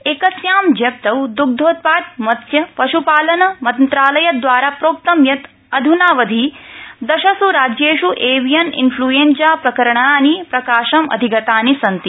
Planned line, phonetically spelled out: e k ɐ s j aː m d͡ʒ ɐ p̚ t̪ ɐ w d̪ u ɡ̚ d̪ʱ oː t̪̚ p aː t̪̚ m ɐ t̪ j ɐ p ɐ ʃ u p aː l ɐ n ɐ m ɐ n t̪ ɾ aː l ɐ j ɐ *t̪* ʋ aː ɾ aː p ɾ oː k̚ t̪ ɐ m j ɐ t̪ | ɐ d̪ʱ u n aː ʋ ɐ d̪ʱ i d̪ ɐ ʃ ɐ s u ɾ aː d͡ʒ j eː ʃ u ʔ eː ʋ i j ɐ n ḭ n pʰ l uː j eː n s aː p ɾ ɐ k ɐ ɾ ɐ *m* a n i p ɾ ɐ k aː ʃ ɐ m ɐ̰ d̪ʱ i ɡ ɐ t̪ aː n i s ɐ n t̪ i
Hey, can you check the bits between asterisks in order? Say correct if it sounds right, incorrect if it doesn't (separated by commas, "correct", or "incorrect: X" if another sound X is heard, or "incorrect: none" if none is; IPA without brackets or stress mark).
incorrect: d̪, incorrect: ɳ